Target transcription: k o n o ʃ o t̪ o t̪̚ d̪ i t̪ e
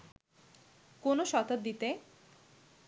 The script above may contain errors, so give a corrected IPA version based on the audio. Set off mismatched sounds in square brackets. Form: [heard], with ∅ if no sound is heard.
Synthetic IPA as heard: k o n o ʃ [ɔ] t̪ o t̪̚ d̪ i t̪ e

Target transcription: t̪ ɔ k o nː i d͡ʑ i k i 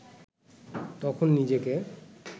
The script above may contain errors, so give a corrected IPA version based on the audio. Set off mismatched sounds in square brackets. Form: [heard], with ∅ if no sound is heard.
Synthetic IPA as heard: t̪ ɔ [kʰ] o nː i d͡ʑ [e] k [e]

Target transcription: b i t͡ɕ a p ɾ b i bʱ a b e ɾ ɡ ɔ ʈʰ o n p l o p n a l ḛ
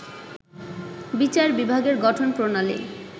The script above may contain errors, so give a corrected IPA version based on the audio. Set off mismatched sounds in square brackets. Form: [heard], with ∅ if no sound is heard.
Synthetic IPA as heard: b i t͡ɕ a [∅] ɾ b i bʱ a [ɡ] e ɾ ɡ ɔ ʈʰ o n p [ɾ] o [∅] n a l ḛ

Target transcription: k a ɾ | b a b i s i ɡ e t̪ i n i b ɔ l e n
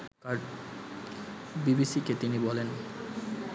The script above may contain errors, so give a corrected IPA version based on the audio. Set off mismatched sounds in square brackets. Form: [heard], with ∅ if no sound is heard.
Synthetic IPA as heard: k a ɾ | b [i] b i s i [k] e t̪ i n i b ɔ l e n

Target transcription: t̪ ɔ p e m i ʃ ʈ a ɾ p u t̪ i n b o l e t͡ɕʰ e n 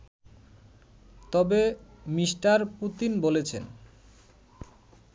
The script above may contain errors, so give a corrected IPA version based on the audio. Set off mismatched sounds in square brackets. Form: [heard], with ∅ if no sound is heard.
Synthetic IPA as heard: t̪ ɔ [b] e m i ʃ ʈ a ɾ p u t̪ i n b o l e t͡ɕʰ e n

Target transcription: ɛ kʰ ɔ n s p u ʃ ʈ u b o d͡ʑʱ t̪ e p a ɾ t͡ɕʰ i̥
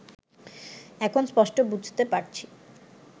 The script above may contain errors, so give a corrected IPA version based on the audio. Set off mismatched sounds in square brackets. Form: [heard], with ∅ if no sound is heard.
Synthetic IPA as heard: ɛ kʰ [o] n s p [ɔ] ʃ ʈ [o] b [u] d͡ʑʱ t̪ e p a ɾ t͡ɕʰ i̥

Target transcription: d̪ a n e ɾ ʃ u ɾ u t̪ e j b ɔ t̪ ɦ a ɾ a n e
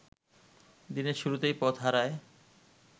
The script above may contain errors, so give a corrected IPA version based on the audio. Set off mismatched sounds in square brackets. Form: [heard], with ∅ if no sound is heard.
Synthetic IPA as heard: d̪ [i] n e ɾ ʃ u ɾ u t̪ e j [p] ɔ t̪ ɦ a ɾ a [∅] e

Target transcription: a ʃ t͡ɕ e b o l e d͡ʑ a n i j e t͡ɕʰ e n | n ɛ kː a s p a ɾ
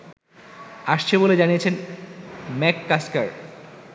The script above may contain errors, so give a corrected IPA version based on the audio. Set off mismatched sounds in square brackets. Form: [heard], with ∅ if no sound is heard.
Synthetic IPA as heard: a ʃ [t͡ɕʰ] e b o l e d͡ʑ a n i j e t͡ɕʰ e n | [m] ɛ kː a s [k] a ɾ

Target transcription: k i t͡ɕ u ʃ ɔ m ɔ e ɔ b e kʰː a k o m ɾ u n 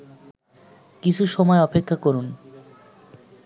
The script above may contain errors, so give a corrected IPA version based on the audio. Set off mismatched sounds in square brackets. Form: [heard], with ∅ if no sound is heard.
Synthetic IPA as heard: k i [t͡ɕʰ] u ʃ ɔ m ɔ e ɔ [p] e kʰː a k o [∅] ɾ u n

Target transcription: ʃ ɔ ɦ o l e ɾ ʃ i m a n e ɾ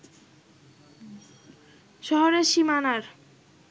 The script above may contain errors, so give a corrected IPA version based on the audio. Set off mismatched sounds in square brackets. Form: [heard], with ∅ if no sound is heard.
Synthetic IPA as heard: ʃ ɔ ɦ o [ɾ] e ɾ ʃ i m a n [a] ɾ

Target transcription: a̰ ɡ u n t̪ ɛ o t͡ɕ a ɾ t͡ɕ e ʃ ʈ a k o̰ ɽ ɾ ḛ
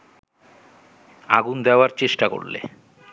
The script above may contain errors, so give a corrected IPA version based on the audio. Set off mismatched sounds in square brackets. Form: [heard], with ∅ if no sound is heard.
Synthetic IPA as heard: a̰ ɡ u n [d̪] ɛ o [∅] a ɾ t͡ɕ e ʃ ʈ a k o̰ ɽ [l] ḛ

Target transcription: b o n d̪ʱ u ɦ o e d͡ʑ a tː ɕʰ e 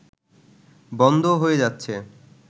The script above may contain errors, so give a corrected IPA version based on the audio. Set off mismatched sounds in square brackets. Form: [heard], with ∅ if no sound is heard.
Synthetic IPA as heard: b [ɔ] n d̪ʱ [o] ɦ o e d͡ʑ a tː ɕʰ e

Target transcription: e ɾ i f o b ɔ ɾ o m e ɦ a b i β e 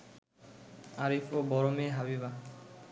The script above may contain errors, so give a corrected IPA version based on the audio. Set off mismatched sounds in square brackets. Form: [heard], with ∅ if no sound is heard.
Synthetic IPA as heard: [a] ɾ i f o b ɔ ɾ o m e ɦ a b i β [a]

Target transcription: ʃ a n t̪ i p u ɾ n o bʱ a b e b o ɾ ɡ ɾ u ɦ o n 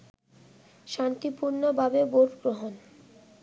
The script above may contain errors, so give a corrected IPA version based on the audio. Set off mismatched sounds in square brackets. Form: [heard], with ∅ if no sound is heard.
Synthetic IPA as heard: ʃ a n t̪ i p u ɾ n o bʱ a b e b o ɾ ɡ ɾ [o] ɦ o n

